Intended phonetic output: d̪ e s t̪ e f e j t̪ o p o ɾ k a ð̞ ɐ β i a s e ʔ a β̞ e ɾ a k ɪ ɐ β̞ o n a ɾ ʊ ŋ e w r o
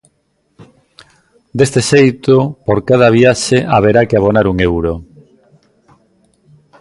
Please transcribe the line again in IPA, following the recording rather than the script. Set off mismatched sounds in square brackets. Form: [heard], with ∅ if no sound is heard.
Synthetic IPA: d̪ e s t̪ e [ʃ] e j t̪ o p o ɾ k a ð̞ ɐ β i a [ʃ] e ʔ a β̞ e ɾ a k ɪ [a] β̞ o n a ɾ [u] ŋ e w [ɾ] o